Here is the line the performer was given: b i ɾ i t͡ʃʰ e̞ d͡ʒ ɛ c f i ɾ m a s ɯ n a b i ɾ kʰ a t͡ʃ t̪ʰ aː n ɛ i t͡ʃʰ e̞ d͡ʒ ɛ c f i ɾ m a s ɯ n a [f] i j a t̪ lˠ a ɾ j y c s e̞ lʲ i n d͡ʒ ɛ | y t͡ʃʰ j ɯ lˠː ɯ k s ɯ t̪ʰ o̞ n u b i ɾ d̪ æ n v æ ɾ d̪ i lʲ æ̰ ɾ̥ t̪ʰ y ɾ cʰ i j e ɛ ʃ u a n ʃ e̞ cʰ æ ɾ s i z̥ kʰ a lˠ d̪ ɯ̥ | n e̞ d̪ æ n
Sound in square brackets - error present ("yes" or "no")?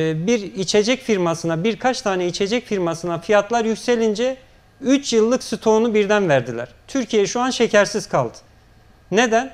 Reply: no